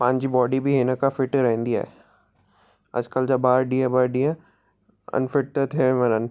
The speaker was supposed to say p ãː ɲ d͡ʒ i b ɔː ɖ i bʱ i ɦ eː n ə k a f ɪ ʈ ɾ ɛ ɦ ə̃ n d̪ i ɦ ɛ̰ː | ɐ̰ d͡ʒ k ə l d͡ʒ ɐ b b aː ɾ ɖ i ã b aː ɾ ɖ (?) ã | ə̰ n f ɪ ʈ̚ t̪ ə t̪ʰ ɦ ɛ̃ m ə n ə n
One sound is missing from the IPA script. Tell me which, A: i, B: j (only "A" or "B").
A